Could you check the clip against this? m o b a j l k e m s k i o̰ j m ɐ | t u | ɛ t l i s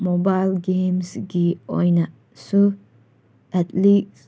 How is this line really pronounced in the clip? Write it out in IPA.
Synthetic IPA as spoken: m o b a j l ɡ e m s ɡ i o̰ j n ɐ | s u | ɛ t l i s

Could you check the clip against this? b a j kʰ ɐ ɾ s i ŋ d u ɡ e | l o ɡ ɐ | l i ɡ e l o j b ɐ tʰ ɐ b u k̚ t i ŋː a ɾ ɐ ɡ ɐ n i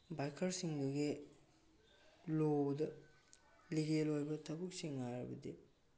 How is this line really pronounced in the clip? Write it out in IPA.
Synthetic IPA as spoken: b a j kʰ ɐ ɾ s i ŋ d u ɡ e | l o d ɐ | l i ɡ e l o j b ɐ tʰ ɐ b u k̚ s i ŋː a ɾ ɐ b ɐ d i

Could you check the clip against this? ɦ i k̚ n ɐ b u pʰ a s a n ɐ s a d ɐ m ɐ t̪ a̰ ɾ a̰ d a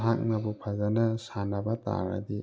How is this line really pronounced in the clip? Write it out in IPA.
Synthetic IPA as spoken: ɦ a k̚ n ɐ b u pʰ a z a n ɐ s a n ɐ b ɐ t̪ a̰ ɾ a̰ d i

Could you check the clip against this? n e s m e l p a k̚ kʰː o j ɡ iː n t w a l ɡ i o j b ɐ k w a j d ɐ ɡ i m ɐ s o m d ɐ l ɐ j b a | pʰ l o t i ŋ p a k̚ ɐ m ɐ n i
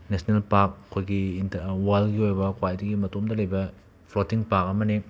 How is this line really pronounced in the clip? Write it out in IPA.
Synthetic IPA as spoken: n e s n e l p a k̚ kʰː o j ɡ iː n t w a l ɡ i o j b ɐ k w a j d ɐ ɡ i m ɐ t o m d ɐ l ɐ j b ɐ | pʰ l o t i ŋ p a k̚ ɐ m ɐ n i

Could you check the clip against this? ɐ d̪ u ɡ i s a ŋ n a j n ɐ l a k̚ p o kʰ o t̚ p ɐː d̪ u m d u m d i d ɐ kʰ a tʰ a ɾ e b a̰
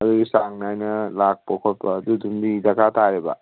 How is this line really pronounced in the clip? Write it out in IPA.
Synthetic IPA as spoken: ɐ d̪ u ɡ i s a ŋ n a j n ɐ l a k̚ p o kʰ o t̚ p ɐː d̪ u d u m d i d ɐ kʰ a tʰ a ɾ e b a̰

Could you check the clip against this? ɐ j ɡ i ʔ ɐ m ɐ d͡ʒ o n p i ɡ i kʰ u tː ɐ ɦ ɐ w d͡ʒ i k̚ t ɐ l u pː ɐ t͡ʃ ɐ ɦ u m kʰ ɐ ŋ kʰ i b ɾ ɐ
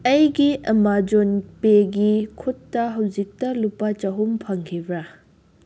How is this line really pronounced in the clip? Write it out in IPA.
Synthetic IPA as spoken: ɐ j ɡ i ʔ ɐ m a d͡ʒ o n p e ɡ i kʰ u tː ɐ ɦ ɐ w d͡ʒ i k̚ t ɐ l u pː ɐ t͡ʃ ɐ ɦ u m pʰ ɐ ŋ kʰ i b ɾ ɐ

